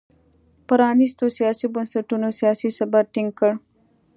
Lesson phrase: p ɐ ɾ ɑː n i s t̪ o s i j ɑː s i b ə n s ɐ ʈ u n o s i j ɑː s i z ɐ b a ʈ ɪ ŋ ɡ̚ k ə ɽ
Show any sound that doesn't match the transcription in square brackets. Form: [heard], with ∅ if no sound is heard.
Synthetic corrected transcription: p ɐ ɾ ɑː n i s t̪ o s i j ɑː s i b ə n s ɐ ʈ u n o s i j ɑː s i [s] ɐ b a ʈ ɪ ŋ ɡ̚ k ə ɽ